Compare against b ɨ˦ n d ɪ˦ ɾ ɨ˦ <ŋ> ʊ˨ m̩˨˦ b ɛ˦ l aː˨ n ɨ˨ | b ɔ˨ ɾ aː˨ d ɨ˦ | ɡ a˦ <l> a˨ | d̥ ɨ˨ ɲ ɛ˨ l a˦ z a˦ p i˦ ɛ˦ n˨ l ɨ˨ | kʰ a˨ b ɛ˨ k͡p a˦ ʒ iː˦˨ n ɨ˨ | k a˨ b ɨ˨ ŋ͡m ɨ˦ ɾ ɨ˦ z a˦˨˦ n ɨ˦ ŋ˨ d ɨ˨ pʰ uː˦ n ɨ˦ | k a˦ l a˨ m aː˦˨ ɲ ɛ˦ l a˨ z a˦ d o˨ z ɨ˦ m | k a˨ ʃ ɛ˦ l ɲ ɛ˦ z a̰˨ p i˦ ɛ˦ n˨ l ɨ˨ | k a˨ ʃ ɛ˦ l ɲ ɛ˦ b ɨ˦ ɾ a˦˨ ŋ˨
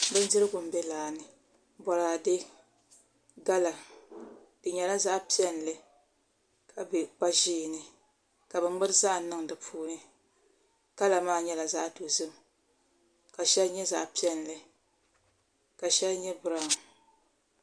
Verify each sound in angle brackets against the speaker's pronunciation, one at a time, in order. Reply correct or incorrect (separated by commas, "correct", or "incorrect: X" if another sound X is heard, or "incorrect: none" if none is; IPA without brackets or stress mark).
incorrect: ɡ, correct